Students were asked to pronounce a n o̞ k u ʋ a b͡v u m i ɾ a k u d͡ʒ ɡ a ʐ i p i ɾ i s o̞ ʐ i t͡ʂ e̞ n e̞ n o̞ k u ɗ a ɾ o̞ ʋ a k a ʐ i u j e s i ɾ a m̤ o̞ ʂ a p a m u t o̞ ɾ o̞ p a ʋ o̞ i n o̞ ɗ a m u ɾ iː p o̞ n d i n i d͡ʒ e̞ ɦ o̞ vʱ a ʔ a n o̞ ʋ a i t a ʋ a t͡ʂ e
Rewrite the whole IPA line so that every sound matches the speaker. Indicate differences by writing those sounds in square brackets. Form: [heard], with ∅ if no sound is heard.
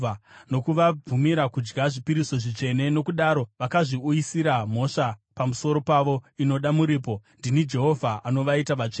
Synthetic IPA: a n o̞ k u ʋ a b͡v u m i ɾ a k u d͡ʒ ɡ a ʐ i p i ɾ i s o̞ ʐ i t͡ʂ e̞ n e̞ n o̞ k u ɗ a ɾ o̞ ʋ a k a ʐ i u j [i] s i ɾ a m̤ o̞ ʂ a p a m u [s] o̞ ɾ o̞ p a ʋ o̞ i n o̞ ɗ a m u ɾ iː p o̞ n d i n i d͡ʒ e̞ ɦ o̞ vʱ a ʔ a n o̞ ʋ a i t a ʋ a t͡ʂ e